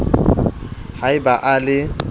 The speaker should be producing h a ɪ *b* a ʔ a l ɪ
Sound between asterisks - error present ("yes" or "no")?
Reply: no